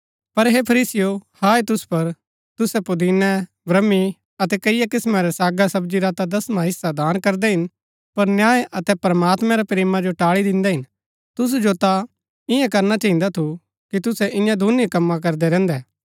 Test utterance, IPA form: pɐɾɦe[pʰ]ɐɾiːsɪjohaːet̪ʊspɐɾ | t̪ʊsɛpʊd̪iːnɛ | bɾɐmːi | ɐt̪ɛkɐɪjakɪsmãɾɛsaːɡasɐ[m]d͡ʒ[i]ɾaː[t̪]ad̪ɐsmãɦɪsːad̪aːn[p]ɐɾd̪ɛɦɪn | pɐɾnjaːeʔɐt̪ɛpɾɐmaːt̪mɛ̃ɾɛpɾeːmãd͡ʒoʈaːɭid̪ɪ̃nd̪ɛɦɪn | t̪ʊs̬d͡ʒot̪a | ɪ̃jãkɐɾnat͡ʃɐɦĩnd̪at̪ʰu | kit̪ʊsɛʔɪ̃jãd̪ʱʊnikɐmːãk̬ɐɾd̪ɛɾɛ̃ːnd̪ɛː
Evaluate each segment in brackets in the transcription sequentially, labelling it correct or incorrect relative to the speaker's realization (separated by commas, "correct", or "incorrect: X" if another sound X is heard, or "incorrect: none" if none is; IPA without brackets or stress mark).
correct, incorrect: b, correct, correct, incorrect: k